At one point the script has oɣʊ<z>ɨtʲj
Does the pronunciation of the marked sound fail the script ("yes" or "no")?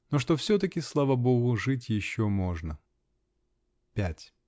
yes